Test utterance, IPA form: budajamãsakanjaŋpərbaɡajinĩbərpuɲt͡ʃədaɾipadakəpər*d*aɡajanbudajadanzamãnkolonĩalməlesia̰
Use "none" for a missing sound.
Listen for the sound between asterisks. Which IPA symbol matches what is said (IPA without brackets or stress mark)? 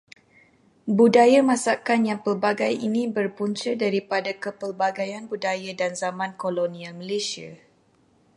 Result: b